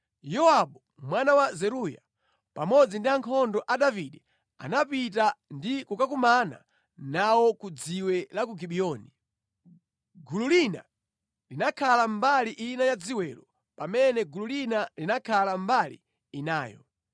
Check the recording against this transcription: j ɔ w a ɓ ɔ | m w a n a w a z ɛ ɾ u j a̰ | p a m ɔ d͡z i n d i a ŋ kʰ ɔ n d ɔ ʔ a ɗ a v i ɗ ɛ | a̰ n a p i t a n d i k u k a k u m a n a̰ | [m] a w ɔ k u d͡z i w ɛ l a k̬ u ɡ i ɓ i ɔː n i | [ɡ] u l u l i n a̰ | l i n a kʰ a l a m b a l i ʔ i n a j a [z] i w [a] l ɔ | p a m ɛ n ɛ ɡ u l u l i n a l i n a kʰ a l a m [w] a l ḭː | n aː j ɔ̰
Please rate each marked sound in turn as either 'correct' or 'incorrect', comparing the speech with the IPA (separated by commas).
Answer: incorrect, correct, incorrect, incorrect, incorrect